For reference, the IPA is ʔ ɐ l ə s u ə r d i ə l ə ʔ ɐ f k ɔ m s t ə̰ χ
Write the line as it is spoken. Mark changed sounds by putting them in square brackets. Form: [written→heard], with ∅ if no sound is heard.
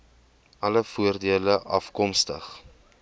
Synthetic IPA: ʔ ɐ l ə [s→f] u ə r d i ə l ə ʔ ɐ f k ɔ m s t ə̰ χ